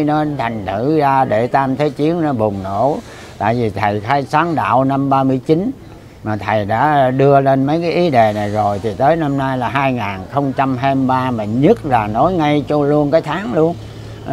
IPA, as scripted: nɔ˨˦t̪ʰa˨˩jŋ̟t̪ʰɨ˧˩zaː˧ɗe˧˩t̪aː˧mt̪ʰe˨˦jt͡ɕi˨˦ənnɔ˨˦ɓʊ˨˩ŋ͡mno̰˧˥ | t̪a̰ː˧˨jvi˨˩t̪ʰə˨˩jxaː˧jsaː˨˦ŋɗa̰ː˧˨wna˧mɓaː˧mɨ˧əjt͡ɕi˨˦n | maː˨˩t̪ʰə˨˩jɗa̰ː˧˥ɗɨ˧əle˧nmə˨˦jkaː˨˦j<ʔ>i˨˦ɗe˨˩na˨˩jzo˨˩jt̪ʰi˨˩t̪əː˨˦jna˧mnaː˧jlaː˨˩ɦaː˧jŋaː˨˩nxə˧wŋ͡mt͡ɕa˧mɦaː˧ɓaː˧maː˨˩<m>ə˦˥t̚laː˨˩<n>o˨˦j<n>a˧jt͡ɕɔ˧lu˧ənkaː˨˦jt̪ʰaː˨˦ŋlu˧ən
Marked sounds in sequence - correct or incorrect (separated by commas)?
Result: correct, incorrect, correct, incorrect